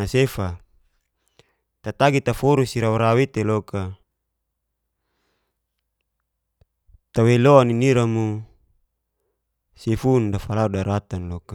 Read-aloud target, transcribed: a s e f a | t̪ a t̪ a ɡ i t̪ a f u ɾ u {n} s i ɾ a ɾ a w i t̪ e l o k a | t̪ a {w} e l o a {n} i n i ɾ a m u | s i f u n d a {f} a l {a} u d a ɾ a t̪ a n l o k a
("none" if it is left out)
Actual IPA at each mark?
none, w, n, f, a

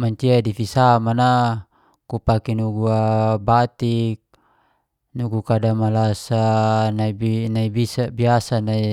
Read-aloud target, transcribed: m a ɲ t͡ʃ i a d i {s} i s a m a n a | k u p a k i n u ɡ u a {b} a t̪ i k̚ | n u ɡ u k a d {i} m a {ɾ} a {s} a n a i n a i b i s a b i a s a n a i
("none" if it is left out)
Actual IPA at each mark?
f, b, a, l, s

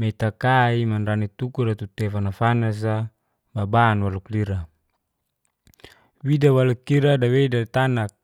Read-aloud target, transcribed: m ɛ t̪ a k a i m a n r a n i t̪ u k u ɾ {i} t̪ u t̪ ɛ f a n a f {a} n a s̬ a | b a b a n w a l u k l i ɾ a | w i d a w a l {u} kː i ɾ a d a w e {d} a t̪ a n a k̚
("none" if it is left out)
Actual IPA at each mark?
a, a, u, d

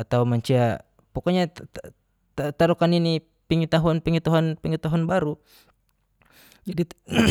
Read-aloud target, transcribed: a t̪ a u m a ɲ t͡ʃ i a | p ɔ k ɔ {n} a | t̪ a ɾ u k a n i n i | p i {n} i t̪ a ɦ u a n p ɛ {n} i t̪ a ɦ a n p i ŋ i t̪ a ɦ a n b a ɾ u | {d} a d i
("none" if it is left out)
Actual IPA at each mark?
ɲ, ŋ, ŋ, d͡ʒ

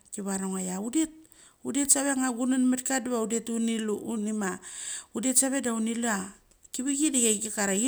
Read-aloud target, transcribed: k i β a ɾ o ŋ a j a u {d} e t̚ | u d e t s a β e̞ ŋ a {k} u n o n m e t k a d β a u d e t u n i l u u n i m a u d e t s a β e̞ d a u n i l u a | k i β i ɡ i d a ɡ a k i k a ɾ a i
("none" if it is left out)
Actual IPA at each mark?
d, ɡ

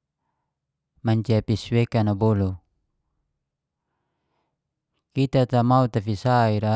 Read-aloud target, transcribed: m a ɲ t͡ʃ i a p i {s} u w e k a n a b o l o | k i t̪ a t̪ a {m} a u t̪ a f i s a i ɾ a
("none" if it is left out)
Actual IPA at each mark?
s, m

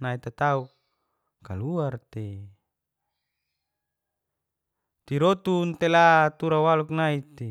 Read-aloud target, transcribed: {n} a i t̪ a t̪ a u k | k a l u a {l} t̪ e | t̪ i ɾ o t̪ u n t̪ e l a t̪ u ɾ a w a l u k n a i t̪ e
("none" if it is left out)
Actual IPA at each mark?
n, r

